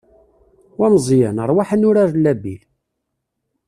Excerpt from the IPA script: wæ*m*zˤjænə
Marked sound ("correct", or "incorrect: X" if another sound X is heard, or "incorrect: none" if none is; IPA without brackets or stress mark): correct